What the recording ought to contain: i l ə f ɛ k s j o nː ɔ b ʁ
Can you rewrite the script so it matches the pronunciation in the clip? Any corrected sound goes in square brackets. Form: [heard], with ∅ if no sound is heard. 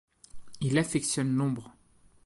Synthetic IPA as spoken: i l [a] f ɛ k s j [ɔ] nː [ɔ̃] b ʁ